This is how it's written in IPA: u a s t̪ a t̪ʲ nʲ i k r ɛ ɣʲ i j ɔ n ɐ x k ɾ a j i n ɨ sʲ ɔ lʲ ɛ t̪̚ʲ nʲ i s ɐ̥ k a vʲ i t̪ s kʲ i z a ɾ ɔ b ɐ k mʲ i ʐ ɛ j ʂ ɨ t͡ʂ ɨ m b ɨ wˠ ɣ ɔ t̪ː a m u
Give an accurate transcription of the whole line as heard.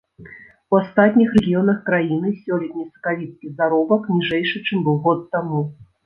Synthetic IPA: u a s t̪ a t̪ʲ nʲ i x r ɛ ɣʲ i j ɔ n ɐ x k ɾ a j i n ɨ sʲ ɔ lʲ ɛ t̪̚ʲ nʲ i s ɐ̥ k a vʲ i t̪ s kʲ i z a ɾ ɔ b ɐ k nʲ i ʐ ɛ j ʂ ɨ t͡ʂ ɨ m b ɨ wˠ ɣ ɔ t̪ː a m u